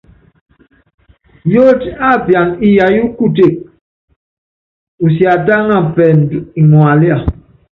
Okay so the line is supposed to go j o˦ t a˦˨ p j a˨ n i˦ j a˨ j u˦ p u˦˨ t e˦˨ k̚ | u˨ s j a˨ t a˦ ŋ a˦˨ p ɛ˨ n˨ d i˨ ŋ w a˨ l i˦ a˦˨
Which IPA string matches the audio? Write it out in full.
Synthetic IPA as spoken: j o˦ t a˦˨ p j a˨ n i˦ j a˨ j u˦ k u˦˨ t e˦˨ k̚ | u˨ s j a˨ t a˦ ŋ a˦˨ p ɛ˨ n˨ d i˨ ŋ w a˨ l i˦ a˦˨